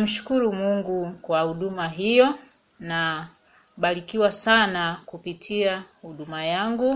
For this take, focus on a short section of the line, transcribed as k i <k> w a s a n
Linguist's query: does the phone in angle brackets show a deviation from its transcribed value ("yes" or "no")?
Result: yes